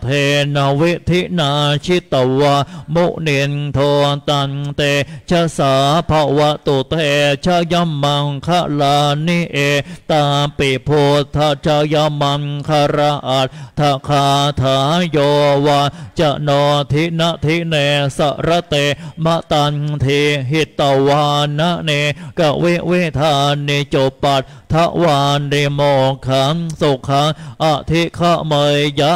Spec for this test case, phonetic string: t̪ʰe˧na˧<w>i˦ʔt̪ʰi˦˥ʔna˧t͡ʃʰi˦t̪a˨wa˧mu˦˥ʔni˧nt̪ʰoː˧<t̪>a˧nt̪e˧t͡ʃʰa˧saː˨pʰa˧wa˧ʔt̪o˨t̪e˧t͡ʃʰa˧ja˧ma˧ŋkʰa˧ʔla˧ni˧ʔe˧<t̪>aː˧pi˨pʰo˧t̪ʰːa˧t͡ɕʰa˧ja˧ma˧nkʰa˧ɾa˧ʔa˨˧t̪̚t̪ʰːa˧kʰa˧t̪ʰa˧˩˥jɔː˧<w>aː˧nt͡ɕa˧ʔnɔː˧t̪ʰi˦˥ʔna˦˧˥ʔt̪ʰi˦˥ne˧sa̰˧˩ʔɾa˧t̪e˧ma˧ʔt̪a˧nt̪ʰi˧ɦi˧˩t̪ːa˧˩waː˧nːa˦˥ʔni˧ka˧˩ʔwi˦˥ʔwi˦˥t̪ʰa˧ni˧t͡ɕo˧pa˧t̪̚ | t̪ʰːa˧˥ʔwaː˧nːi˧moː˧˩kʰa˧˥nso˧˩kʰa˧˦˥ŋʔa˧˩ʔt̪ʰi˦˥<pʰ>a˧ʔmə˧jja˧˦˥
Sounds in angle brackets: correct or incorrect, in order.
correct, correct, correct, correct, incorrect: kʰ

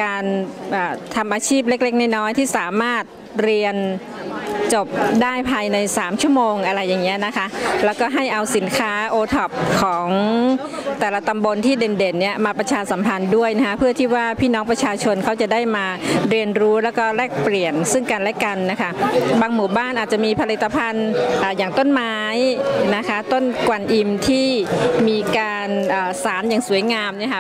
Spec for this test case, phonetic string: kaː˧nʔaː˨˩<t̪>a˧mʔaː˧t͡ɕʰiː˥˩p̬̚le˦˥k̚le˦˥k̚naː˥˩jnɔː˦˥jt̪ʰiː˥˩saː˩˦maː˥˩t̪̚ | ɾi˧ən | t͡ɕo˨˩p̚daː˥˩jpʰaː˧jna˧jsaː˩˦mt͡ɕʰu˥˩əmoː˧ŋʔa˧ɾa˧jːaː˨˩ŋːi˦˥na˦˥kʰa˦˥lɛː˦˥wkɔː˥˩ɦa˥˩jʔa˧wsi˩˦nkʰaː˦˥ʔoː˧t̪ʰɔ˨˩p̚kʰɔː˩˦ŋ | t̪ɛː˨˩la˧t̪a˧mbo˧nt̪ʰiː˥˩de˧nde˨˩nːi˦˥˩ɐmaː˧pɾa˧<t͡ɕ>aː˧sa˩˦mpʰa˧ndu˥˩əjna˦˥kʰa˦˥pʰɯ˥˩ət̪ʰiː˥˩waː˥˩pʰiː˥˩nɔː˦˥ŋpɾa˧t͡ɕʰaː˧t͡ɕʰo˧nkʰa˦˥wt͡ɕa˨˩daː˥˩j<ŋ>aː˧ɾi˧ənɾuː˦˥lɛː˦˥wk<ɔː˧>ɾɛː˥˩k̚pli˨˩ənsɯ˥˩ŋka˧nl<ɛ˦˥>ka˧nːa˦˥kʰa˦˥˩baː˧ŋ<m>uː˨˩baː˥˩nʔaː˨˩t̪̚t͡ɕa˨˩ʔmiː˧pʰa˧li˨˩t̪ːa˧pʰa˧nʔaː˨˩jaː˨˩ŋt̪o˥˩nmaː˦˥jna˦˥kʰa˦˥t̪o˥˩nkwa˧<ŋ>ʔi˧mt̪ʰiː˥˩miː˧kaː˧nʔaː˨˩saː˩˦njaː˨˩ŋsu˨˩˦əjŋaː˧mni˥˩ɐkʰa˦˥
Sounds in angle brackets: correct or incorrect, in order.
incorrect: t̪ʰ, incorrect: t͡ɕʰ, incorrect: m, incorrect: ɔː˥˩, correct, correct, incorrect: n

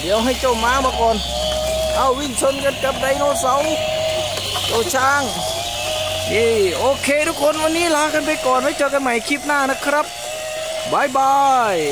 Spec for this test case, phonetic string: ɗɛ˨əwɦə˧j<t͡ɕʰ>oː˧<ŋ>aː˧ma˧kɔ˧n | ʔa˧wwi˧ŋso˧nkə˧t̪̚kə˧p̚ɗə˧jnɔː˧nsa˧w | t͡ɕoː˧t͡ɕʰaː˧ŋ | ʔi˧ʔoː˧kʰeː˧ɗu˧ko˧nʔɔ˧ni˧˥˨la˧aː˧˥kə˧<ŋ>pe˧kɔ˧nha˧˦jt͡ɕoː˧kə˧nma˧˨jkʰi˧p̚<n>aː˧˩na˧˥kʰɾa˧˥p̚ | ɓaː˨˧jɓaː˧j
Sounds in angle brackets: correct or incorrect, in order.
incorrect: t͡ɕ, incorrect: m, incorrect: n, correct

